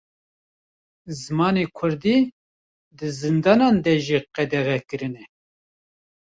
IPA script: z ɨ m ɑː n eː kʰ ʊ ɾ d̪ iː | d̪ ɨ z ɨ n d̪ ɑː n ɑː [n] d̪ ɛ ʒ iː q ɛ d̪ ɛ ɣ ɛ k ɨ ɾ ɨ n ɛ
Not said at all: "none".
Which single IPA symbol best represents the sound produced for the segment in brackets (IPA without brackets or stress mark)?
n